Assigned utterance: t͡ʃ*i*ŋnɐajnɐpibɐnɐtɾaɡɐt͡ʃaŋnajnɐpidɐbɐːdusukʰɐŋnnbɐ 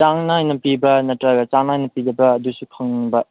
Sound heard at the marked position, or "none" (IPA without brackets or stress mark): a